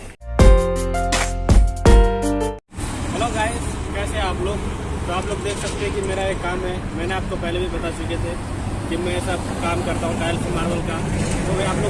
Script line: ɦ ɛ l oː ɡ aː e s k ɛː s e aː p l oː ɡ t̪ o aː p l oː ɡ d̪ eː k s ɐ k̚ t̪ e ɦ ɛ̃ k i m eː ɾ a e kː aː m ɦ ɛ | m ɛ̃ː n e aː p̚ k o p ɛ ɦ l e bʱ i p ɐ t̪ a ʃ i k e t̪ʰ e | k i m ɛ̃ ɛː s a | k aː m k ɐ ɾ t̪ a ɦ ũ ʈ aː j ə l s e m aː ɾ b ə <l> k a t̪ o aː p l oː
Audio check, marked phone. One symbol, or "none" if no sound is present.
l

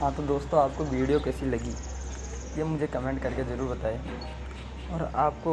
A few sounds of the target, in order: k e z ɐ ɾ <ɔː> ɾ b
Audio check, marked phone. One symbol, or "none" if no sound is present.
uː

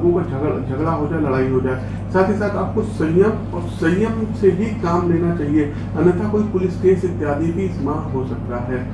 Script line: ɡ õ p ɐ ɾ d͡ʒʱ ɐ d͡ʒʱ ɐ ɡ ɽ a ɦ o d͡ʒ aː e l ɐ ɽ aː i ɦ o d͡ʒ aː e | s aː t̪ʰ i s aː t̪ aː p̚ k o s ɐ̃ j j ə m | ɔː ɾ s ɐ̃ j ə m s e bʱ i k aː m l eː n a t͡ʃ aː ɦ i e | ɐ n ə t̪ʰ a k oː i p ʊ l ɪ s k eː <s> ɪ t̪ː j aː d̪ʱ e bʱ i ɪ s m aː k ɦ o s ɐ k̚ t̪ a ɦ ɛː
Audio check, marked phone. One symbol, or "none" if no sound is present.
s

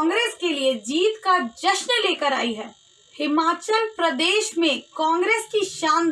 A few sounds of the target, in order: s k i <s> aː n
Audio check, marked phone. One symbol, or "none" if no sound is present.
ʃ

